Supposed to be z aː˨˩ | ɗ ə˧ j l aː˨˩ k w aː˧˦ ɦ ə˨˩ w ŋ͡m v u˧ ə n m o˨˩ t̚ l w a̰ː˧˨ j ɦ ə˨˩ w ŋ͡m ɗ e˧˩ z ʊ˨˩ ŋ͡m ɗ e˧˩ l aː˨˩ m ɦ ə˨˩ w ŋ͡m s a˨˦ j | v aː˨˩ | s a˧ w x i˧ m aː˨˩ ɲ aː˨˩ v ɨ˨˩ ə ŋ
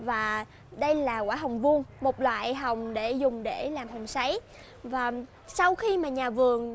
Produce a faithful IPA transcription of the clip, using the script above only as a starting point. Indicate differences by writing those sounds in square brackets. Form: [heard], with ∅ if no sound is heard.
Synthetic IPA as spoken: [v] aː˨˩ | ɗ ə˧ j l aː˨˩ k w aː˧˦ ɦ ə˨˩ w ŋ͡m v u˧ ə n m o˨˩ t̚ l w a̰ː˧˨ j ɦ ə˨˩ w ŋ͡m ɗ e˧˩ z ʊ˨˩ ŋ͡m ɗ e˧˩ l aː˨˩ m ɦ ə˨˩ w ŋ͡m s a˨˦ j | v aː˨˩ | s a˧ w x i˧ m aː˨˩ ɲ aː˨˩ v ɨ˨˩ ə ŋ